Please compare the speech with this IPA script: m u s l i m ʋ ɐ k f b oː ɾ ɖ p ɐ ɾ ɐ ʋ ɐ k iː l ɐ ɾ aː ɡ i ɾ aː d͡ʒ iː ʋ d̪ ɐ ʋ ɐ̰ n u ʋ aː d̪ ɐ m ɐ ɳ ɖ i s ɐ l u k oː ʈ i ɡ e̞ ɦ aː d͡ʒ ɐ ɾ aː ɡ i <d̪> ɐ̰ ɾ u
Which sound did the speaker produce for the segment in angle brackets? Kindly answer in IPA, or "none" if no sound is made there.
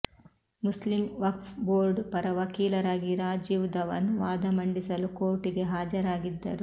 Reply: d̪ː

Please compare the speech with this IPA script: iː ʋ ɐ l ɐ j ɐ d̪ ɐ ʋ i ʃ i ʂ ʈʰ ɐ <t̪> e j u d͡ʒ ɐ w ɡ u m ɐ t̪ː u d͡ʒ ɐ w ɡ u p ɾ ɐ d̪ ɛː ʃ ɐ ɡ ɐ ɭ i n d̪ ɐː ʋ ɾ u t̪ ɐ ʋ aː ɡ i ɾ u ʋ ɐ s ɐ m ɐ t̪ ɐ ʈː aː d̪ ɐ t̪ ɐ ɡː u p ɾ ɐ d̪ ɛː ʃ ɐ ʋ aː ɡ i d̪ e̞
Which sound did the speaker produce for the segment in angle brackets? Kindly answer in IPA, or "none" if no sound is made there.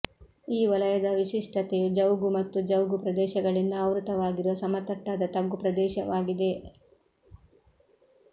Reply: t̪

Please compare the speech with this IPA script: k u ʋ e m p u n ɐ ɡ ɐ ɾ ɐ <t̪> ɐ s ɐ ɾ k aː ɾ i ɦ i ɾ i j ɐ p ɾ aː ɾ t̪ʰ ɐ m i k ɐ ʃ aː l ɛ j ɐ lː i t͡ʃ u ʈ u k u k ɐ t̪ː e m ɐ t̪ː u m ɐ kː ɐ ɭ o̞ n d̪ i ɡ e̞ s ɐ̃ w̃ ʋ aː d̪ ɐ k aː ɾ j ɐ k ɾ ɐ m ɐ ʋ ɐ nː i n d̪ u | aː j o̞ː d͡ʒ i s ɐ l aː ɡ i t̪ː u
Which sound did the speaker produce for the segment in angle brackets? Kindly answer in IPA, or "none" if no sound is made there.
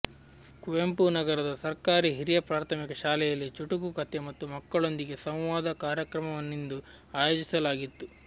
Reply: d̪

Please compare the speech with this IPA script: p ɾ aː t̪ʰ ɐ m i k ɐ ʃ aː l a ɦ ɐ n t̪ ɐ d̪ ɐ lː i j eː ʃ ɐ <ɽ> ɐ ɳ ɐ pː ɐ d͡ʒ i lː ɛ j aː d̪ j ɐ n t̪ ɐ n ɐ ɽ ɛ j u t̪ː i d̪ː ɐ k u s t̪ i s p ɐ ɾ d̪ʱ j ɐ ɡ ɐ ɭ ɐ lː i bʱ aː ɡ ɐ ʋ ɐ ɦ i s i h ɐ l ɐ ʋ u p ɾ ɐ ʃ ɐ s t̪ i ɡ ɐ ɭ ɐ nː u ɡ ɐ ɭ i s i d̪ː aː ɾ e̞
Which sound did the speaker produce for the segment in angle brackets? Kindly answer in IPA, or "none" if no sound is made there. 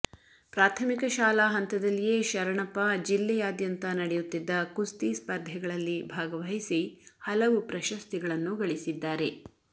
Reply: ɾ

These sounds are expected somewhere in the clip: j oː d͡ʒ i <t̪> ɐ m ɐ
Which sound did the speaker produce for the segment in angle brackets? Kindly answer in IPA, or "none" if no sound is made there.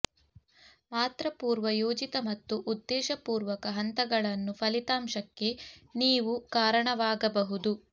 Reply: t̪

